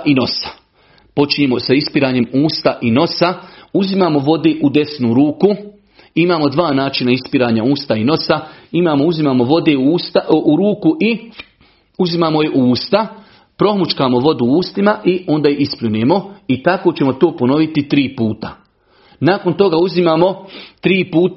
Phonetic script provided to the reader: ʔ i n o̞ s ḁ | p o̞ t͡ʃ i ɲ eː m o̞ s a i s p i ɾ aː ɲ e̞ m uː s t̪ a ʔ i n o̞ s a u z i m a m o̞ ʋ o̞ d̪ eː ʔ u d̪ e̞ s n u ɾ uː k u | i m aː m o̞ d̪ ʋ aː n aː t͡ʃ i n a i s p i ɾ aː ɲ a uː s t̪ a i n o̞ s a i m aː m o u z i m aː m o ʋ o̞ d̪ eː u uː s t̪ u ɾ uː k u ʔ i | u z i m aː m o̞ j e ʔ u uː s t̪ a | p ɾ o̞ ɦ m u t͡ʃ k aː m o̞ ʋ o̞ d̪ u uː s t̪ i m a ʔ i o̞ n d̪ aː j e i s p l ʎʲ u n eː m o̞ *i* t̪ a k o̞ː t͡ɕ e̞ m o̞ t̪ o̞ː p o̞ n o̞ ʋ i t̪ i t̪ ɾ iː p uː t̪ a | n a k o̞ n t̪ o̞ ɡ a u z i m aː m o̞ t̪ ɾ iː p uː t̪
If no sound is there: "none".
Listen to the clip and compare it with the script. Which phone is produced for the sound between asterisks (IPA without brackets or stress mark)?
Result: i